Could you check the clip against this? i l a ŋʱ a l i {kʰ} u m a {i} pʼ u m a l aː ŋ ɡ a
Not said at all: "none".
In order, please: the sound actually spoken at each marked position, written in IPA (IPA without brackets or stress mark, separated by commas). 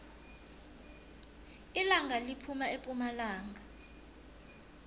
pʰ, e